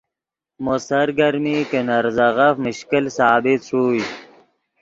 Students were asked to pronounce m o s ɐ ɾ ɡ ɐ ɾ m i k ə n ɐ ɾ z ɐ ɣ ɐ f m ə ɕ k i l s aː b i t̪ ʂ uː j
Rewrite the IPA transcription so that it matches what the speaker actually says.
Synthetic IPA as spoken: m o s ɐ ɾ ɡ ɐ ɾ m i k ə n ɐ ɾ z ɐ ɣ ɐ f m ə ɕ k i l s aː b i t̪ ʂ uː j